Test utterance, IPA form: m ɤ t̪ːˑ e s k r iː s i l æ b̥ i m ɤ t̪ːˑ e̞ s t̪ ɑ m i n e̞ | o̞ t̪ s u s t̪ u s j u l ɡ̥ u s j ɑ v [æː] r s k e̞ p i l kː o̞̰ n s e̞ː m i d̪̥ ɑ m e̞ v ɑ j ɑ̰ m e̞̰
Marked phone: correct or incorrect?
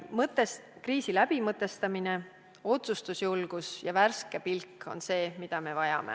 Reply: incorrect